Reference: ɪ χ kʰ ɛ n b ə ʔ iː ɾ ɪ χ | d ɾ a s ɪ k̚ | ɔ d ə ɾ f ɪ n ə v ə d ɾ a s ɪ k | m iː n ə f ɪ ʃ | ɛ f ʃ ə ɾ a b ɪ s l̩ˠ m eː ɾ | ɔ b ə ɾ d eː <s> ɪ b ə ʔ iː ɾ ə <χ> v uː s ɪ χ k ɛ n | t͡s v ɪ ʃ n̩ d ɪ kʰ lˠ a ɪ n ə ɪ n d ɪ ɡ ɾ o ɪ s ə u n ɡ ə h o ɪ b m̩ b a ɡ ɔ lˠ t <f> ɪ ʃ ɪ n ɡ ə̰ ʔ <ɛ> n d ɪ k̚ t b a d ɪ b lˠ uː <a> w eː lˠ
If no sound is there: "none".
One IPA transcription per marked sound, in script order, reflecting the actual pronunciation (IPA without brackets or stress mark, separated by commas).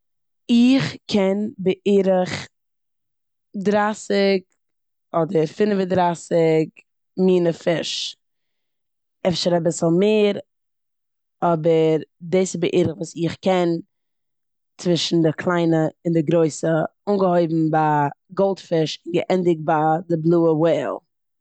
s, χ, f, ɛ, ə